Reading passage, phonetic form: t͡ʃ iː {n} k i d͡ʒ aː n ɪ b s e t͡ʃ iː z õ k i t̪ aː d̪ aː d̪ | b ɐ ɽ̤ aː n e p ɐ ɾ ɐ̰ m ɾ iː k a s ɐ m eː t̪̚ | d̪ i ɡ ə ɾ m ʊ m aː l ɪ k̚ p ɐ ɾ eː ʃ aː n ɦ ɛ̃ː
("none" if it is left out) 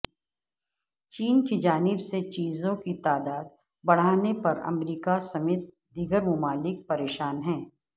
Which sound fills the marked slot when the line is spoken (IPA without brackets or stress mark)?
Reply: n